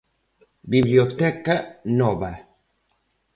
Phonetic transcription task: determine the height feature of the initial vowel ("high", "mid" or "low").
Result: high